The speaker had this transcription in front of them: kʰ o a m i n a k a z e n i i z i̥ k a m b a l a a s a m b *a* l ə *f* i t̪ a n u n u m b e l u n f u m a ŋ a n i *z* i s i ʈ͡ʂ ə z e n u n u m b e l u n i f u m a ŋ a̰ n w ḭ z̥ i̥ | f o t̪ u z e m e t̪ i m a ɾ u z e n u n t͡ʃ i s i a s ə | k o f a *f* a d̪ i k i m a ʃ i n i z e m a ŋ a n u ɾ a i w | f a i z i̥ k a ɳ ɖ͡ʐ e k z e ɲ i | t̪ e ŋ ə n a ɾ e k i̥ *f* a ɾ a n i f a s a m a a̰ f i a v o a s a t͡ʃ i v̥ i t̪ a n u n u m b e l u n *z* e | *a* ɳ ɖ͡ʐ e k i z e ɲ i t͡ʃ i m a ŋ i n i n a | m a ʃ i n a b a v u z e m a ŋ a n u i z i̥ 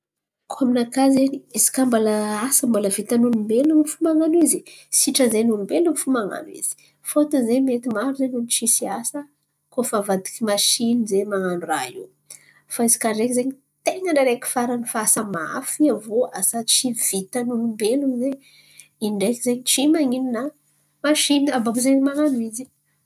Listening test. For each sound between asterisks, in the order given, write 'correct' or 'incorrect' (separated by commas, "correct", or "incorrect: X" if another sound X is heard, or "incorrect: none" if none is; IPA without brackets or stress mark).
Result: correct, incorrect: v, correct, incorrect: v, correct, correct, incorrect: i